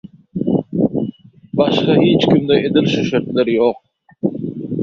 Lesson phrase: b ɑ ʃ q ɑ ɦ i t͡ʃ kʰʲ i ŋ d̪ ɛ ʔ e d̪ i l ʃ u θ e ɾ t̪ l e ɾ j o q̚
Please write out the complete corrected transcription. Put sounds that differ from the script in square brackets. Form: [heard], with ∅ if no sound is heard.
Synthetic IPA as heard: b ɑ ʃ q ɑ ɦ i t͡ʃ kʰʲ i [m] d̪ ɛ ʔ e d̪ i l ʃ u [ʃ] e ɾ t̪ l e ɾ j o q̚